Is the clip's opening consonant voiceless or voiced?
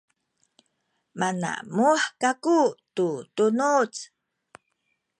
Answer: voiced